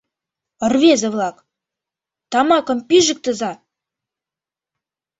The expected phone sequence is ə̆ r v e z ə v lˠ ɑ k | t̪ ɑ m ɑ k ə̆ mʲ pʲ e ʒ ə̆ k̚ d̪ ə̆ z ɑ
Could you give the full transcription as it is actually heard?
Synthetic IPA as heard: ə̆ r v e z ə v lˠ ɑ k | t̪ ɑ m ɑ k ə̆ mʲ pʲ i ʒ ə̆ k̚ t̪ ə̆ z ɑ